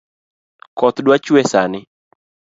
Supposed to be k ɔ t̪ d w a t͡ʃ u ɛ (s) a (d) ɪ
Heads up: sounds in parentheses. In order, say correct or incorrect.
correct, incorrect: n

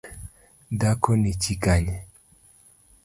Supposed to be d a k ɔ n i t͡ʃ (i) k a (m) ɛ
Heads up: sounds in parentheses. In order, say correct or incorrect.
correct, incorrect: ɲ

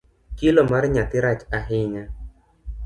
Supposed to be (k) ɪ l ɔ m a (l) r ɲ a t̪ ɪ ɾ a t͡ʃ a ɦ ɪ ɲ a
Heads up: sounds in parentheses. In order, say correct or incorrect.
correct, incorrect: none

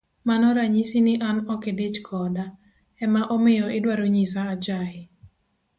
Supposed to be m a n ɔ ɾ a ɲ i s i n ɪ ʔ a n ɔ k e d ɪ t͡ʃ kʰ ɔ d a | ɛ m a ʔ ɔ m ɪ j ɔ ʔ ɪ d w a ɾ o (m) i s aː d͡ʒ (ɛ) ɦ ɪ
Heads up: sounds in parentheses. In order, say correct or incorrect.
incorrect: ɲ, incorrect: a

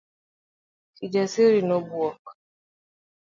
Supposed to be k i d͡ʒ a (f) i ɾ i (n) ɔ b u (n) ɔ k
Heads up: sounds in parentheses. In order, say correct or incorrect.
incorrect: s, correct, incorrect: none

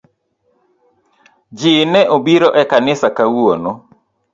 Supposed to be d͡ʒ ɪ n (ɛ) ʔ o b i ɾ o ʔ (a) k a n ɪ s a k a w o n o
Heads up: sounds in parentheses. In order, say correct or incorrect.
correct, incorrect: ɛ

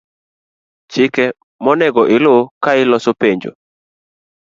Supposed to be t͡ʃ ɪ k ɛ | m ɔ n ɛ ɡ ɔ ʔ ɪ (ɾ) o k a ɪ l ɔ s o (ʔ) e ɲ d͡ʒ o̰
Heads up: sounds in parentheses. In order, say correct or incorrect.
incorrect: l, incorrect: p

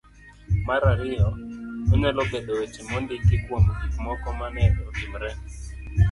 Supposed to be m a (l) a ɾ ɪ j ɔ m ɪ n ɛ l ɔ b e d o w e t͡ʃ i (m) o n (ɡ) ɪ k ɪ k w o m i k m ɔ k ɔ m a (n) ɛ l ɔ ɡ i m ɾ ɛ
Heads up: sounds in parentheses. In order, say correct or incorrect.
incorrect: ɾ, correct, incorrect: d, correct

